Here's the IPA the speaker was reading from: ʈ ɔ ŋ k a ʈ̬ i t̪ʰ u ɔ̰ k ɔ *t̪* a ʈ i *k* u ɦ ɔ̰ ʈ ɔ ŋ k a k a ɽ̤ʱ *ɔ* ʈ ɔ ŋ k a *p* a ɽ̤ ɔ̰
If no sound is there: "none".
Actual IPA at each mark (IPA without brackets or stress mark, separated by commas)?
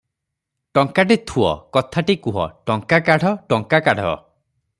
t̪ʰ, k, ɔ, k